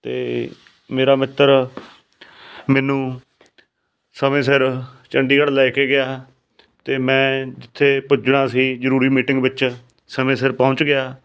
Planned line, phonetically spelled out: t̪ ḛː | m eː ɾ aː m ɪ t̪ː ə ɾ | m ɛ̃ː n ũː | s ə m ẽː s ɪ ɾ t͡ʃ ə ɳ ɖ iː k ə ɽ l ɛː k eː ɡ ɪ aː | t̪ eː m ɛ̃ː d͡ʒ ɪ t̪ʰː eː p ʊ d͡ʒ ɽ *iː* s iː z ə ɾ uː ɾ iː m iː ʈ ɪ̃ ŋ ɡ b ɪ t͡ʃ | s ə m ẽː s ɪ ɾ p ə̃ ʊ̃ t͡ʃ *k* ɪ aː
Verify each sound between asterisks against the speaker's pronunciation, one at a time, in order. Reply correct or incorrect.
incorrect: aː, incorrect: ɡ

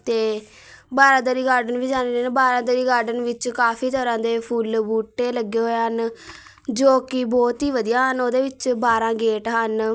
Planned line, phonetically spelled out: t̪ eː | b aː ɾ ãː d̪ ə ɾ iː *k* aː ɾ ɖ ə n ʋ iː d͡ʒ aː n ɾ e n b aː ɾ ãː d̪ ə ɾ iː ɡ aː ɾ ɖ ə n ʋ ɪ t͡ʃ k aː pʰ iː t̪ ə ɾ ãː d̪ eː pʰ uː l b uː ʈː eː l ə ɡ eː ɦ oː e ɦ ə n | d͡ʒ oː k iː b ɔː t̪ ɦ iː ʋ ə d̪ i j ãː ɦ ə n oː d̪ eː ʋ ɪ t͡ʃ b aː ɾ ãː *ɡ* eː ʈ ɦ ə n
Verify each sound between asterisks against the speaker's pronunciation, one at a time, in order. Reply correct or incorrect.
incorrect: ɡ, correct

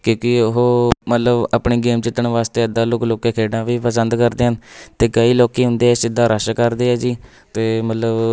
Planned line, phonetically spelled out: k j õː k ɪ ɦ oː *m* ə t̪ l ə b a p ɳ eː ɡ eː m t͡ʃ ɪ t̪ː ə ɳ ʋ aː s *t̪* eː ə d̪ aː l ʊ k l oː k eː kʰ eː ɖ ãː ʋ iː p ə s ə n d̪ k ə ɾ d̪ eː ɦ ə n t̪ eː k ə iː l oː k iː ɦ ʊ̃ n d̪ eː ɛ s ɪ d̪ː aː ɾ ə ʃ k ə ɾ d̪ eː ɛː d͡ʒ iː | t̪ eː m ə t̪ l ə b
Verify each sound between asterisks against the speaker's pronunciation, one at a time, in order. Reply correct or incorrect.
correct, correct

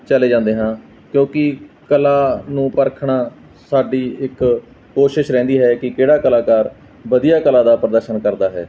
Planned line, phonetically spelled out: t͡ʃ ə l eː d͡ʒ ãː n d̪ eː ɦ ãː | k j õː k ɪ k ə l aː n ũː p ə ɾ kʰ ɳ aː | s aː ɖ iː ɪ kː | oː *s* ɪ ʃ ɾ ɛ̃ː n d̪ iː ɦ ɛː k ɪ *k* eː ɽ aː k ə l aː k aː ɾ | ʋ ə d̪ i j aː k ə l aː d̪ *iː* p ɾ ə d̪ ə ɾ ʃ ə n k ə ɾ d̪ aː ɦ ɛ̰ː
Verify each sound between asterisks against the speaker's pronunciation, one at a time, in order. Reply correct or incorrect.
incorrect: ʃ, correct, incorrect: aː

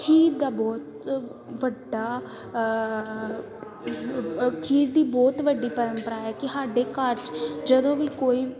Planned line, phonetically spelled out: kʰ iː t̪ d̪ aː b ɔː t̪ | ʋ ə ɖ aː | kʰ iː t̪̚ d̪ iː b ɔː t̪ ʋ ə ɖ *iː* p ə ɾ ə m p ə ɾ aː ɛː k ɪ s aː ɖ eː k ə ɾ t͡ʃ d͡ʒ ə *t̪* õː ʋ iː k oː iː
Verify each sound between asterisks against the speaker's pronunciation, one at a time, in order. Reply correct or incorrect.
correct, incorrect: d̪

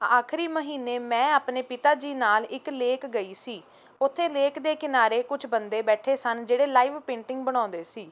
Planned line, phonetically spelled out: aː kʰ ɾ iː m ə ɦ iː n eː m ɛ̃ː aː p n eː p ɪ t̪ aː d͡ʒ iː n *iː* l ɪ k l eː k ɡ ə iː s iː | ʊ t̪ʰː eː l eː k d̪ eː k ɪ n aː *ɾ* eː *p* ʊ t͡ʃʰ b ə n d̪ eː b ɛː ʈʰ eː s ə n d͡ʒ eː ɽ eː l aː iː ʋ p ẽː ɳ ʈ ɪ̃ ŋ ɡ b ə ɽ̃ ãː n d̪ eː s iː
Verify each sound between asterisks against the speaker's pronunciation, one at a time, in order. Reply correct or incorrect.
incorrect: aː, correct, incorrect: k

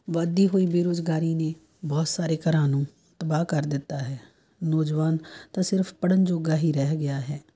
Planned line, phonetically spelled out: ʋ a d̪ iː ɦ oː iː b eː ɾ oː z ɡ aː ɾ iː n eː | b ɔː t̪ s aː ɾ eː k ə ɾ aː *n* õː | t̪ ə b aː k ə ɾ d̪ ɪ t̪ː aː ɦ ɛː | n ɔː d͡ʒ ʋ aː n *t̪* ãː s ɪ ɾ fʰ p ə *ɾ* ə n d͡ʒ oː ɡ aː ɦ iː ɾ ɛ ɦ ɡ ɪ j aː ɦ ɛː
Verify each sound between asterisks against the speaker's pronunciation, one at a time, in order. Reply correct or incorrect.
correct, correct, incorrect: ɽ

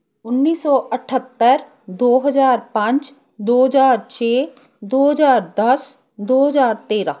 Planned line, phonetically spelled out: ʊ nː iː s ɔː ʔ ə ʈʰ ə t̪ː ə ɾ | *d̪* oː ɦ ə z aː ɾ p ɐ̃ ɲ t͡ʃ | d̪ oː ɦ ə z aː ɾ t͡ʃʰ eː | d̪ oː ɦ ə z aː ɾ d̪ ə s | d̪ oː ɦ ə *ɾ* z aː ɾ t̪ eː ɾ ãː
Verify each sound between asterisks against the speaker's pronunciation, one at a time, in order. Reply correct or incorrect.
correct, incorrect: none

